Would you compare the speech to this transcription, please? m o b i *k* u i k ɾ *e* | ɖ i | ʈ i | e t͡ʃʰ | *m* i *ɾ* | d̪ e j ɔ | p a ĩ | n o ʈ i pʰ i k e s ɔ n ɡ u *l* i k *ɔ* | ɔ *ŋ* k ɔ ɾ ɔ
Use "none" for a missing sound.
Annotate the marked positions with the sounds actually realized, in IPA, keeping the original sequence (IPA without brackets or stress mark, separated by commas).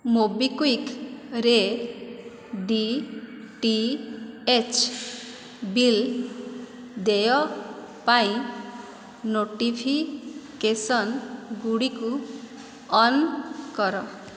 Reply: k, e, b, l, ɽ, u, n